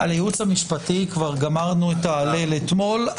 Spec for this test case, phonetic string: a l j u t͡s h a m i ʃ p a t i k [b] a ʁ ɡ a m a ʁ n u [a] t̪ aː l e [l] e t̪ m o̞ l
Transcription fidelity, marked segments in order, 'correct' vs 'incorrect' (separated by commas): incorrect, incorrect, correct